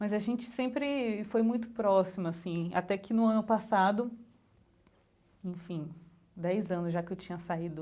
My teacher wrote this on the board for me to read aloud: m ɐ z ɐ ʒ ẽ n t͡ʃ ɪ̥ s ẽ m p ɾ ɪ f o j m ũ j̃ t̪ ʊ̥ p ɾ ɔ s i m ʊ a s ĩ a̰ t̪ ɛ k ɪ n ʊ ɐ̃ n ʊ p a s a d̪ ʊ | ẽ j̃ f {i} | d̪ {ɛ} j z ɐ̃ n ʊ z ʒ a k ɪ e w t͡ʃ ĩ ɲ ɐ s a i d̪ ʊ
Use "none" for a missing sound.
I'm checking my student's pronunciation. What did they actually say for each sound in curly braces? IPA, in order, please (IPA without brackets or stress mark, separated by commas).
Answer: ĩ, ɛ